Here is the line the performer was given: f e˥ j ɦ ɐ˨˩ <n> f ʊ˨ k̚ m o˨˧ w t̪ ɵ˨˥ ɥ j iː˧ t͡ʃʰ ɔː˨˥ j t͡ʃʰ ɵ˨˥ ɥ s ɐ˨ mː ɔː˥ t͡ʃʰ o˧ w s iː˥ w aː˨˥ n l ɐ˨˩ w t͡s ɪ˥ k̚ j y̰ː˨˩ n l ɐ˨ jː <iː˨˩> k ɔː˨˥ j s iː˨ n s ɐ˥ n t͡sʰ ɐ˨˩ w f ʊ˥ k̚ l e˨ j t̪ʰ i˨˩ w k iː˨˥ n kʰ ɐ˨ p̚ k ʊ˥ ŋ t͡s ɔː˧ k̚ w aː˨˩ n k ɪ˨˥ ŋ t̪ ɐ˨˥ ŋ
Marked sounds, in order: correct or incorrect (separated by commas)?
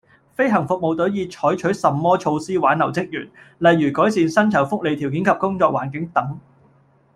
incorrect, incorrect